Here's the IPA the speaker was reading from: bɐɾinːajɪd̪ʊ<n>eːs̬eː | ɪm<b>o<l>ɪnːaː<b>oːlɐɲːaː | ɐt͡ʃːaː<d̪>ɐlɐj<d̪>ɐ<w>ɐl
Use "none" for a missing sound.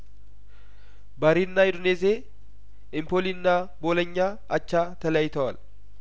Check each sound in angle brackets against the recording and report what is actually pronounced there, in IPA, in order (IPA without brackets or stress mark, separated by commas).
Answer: n, p, l, b, t̪, t̪, w